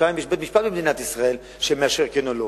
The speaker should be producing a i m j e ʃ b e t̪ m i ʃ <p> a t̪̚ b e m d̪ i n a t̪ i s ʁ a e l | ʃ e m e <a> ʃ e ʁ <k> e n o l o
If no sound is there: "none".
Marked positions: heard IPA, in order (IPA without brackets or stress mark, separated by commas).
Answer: p, a, k